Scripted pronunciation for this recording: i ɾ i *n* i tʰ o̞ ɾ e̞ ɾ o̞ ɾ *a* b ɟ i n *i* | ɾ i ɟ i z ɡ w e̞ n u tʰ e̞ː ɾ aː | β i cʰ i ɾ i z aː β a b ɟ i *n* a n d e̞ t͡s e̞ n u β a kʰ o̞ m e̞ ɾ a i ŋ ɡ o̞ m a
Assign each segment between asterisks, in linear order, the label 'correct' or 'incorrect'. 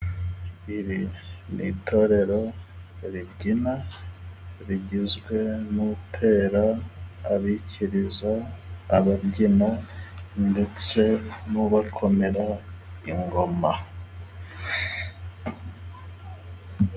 correct, incorrect, incorrect, correct

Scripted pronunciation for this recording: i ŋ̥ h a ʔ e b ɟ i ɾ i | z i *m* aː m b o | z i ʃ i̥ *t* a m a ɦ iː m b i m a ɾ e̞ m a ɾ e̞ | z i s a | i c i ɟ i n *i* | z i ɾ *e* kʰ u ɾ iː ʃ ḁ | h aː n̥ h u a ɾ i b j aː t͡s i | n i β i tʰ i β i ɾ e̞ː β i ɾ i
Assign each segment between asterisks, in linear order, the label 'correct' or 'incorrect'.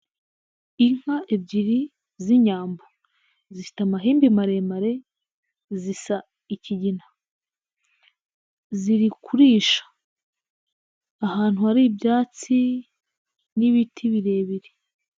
incorrect, correct, incorrect, incorrect

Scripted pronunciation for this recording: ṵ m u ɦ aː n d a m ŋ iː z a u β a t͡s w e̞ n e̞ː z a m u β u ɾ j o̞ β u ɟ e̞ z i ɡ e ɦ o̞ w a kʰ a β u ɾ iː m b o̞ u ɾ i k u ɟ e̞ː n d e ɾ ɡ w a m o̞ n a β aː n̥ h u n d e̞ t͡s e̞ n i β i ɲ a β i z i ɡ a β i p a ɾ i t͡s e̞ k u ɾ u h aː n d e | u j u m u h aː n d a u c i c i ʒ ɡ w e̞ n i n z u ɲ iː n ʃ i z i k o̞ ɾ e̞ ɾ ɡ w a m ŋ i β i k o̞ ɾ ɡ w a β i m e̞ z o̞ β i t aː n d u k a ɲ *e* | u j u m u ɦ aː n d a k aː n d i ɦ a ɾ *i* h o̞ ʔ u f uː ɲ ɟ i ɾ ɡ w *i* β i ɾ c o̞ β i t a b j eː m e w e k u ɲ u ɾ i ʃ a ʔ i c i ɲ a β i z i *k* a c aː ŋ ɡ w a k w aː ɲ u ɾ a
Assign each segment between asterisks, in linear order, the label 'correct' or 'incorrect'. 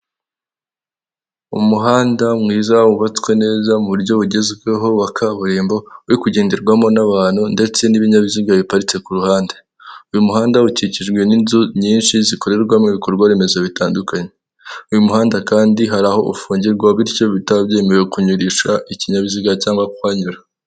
correct, incorrect, incorrect, incorrect

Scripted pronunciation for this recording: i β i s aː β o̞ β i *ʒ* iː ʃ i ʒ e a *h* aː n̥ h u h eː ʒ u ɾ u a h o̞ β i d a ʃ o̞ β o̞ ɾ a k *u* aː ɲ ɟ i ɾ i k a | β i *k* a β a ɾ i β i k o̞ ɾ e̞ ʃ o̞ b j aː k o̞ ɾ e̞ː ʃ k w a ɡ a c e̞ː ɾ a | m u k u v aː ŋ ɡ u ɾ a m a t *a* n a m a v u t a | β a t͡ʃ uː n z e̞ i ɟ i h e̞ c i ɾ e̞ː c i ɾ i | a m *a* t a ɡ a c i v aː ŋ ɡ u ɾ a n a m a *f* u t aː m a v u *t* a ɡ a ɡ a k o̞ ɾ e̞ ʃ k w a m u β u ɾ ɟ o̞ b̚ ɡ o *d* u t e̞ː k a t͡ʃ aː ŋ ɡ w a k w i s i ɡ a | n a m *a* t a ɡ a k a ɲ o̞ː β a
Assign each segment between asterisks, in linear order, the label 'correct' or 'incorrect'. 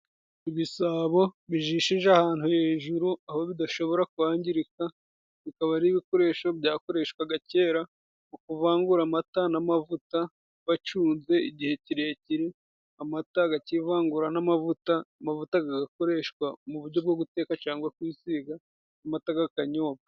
correct, correct, correct, correct, correct, correct, incorrect, correct, incorrect, correct

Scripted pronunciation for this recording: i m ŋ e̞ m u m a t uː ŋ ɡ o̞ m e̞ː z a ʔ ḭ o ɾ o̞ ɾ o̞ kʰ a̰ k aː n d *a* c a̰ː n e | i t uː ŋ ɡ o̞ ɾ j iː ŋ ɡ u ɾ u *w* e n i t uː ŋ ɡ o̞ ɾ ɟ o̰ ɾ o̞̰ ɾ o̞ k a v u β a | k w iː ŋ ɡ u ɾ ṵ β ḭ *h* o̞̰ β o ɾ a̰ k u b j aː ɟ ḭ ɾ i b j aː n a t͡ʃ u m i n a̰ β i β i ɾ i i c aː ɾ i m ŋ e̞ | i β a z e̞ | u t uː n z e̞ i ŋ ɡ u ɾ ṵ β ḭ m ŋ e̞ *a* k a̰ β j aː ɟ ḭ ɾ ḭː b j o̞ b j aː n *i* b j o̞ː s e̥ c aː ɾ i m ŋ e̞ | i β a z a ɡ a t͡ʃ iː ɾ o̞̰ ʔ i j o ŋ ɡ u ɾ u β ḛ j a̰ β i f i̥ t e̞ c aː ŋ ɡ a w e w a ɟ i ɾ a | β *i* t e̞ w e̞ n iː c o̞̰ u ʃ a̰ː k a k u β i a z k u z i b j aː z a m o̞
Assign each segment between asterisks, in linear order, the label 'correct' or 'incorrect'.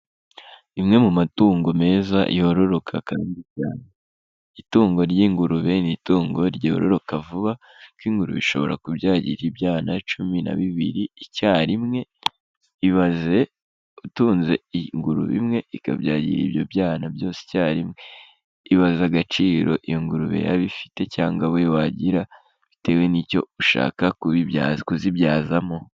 incorrect, incorrect, incorrect, incorrect, incorrect, correct

